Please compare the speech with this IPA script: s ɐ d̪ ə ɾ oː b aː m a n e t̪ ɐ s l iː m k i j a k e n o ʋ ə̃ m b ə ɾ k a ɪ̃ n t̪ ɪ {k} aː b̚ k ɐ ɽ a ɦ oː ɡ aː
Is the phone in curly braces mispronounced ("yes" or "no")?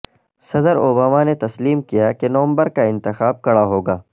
yes